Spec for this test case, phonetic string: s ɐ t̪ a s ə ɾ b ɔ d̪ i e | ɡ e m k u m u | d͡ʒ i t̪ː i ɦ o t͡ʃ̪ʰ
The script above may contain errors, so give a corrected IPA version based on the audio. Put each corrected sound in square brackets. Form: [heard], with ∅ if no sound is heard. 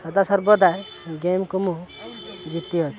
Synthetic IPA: s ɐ [d̪] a s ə ɾ b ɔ d̪ [a] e | ɡ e m k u m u | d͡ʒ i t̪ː i ɦ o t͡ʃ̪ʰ